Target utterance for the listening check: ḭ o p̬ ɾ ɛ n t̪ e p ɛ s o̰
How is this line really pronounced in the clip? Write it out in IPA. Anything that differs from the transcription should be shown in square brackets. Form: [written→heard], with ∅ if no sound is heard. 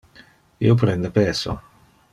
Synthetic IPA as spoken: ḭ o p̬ ɾ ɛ n [t̪→d̪] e p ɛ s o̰